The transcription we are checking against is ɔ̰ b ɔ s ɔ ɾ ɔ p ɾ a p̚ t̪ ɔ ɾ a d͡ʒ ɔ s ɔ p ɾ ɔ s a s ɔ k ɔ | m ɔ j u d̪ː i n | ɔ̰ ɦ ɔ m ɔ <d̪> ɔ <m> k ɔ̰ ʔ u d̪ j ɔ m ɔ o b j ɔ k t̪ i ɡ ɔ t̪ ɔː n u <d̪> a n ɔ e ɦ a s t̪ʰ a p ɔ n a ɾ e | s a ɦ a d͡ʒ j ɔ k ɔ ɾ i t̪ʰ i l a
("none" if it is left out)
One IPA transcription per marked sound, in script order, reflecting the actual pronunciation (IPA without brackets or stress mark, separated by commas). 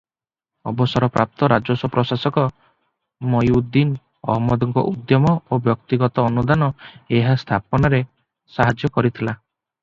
d̪, ŋ, d̪